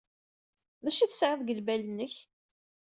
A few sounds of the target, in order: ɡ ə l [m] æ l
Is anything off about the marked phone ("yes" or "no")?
yes